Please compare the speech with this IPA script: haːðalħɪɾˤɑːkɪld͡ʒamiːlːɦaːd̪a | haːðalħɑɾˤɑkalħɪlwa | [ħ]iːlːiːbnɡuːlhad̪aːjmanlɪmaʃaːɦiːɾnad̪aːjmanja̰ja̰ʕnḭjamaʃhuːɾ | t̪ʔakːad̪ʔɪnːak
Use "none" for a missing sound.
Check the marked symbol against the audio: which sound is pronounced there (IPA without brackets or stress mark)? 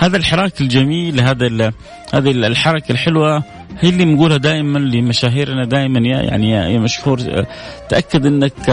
h